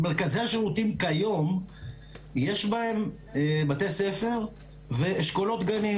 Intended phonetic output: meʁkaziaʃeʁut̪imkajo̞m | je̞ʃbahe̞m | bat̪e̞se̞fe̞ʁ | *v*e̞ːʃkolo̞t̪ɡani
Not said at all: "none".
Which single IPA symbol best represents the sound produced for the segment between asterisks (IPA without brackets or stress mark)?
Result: v